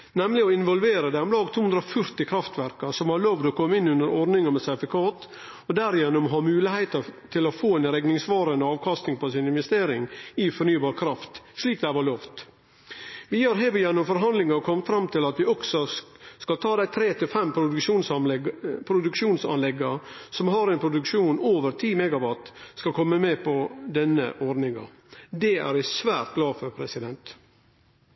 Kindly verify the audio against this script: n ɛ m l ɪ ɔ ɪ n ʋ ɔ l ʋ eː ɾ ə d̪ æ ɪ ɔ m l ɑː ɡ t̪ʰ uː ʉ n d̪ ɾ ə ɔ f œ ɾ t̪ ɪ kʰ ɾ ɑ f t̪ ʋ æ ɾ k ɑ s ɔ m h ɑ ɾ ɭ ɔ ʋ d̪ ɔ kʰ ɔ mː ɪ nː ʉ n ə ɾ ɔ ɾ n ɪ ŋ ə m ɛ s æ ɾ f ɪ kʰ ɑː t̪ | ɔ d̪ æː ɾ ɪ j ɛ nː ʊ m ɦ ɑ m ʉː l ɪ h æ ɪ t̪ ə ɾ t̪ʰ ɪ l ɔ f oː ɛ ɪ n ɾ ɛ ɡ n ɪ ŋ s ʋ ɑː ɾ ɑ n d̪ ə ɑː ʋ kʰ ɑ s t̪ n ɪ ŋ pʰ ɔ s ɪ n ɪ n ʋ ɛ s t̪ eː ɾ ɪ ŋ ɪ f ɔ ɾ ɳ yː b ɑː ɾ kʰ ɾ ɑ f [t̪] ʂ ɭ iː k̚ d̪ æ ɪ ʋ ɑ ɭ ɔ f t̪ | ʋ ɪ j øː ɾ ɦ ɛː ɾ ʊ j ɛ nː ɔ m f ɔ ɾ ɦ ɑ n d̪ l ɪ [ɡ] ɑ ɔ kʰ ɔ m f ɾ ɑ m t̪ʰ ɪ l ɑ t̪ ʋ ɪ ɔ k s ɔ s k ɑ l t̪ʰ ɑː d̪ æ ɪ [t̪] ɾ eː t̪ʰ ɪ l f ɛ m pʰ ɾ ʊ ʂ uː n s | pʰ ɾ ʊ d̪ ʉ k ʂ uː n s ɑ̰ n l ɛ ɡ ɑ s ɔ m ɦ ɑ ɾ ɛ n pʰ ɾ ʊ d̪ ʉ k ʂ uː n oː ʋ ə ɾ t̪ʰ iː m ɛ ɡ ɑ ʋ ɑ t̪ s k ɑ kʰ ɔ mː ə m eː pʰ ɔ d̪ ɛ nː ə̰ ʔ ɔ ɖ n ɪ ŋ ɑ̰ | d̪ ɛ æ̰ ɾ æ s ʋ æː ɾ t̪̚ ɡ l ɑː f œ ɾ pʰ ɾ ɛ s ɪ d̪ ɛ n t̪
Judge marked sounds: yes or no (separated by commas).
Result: yes, no, no